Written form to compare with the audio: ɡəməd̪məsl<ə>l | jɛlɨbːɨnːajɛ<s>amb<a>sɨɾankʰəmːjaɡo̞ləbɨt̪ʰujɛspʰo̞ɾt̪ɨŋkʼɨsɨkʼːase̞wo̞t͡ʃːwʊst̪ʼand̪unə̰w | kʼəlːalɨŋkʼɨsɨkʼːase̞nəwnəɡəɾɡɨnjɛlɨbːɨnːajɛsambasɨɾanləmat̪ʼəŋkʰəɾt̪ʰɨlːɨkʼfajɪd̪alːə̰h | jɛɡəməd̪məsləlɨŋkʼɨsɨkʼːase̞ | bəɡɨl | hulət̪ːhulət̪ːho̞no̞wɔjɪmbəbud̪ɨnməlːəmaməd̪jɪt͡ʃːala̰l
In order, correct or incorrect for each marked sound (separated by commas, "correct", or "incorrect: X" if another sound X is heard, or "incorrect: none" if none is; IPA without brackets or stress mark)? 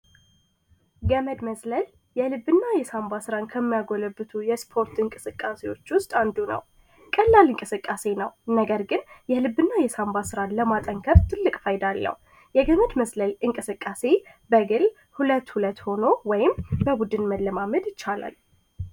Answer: correct, correct, correct